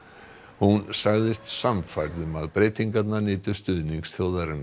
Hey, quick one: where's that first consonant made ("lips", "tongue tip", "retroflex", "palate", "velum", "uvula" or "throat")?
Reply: throat